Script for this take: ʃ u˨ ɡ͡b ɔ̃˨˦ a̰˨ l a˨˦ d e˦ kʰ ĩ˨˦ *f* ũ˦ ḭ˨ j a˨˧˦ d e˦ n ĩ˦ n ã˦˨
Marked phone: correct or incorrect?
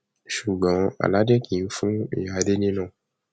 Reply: correct